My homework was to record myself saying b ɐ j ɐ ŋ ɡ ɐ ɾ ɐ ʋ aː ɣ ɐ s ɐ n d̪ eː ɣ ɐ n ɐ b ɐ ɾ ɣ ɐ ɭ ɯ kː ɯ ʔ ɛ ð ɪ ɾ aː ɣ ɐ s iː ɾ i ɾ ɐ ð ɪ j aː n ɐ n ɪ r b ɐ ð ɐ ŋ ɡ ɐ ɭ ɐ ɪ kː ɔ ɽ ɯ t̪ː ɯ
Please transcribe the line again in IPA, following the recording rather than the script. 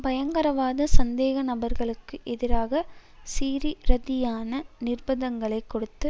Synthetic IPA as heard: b ɐ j ɐ ŋ ɡ ɐ ɾ ɐ ʋ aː ð ɐ s ɐ n d̪ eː ɣ ɐ n ɐ b ɐ ɾ ɣ ɐ ɭ ɯ kː ɯ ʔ ɛ ð ɪ ɾ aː ɣ ɐ s iː ɾ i ɾ ɐ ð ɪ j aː n ɐ n ɪ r b ɐ ð ɐ ŋ ɡ ɐ ɭ ɐ ɪ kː ɔ ɽ ɯ t̪ː ɯ